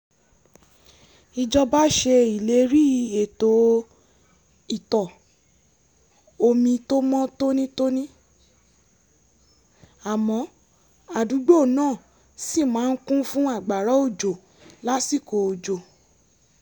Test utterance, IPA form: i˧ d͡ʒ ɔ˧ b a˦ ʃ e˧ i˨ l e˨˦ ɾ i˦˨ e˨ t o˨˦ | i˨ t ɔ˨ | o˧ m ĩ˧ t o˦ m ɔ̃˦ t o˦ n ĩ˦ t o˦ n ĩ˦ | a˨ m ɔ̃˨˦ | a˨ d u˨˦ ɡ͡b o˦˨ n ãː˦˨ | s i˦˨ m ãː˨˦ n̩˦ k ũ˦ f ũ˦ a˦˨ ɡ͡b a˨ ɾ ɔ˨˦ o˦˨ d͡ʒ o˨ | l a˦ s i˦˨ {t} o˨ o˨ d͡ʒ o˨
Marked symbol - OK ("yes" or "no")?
no